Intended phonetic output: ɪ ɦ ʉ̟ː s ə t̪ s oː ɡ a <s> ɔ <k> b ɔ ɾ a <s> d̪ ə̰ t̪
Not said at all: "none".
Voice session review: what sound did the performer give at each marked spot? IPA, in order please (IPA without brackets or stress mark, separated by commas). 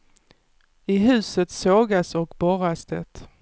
s, k, s